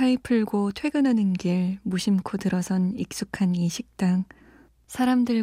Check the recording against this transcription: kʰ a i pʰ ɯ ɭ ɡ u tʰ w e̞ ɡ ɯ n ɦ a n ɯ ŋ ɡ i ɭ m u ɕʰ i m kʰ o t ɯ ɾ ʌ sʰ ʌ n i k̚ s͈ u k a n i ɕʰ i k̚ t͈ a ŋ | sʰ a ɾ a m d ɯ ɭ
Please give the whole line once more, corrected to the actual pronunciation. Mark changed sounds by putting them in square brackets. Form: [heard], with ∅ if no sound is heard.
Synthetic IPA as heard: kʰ a i pʰ ɯ ɭ ɡ [o] tʰ w e̞ ɡ ɯ n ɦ a n ɯ [n] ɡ i ɭ m u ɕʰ i m kʰ o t ɯ ɾ ʌ sʰ ʌ n i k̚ s͈ u [kʰ] a n i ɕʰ i k̚ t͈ a ŋ | sʰ a ɾ a m d ɯ ɭ